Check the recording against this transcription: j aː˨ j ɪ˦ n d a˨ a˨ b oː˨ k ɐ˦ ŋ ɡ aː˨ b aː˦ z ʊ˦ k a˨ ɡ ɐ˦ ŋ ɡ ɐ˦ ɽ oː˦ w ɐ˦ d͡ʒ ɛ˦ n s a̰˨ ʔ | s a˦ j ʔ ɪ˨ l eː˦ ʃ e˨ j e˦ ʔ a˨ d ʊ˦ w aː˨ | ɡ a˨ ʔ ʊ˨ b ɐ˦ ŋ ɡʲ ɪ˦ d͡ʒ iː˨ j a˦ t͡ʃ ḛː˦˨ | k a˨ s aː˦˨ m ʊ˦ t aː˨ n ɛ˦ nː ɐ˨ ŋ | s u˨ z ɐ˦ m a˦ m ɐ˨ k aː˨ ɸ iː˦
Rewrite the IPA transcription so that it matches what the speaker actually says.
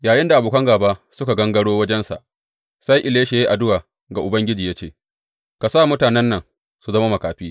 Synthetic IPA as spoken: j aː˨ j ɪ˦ n d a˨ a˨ b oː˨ k ɐ˦ ŋ ɡ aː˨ b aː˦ s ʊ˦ k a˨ ɡ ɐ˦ ŋ ɡ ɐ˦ ɽ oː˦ w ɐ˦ d͡ʒ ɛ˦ n s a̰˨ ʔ | s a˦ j ʔ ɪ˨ l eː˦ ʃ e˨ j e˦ ʔ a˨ d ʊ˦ w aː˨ | ɡ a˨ ʔ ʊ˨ b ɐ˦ ŋ ɡʲ ɪ˦ d͡ʒ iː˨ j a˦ t͡ʃ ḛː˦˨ | k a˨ s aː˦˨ m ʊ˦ t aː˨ n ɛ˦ nː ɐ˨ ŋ | s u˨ z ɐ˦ m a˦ m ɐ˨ k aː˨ ɸ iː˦